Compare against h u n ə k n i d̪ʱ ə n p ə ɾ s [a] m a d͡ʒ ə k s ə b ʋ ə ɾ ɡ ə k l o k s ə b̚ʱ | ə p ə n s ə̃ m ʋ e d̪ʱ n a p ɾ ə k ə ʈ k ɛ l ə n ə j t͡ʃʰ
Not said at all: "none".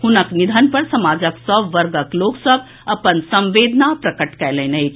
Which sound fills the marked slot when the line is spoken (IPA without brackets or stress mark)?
ə